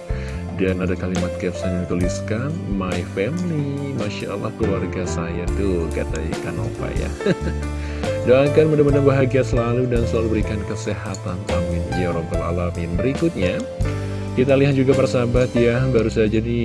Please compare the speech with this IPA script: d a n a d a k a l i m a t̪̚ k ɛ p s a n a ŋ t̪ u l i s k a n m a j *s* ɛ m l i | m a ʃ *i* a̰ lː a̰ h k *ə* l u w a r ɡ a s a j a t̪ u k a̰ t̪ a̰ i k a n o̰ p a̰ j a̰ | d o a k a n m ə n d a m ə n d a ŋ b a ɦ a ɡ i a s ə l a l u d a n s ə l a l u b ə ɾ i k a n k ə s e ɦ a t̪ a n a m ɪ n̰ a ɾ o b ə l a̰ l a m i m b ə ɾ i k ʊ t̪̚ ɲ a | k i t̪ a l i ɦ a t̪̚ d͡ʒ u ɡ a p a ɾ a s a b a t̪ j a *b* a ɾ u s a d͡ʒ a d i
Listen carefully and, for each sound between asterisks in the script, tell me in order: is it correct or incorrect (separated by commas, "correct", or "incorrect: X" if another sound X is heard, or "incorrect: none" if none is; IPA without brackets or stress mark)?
incorrect: f, incorrect: a, correct, correct